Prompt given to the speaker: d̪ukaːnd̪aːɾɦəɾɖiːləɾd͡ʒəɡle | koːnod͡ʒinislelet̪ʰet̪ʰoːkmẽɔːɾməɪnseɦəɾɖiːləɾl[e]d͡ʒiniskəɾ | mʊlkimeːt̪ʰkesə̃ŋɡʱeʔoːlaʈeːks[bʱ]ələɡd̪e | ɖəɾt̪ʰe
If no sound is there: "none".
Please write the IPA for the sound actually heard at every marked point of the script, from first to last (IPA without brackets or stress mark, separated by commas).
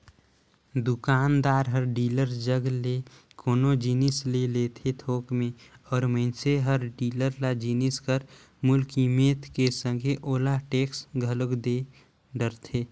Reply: a, ɡʱ